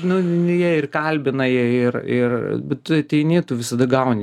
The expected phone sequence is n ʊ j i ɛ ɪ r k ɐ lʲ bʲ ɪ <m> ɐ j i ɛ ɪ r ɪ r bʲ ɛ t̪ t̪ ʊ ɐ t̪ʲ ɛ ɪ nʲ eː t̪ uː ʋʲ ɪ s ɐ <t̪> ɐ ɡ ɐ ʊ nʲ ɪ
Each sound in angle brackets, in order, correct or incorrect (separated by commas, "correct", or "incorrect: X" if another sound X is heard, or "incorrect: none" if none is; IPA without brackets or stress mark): incorrect: n, incorrect: d̪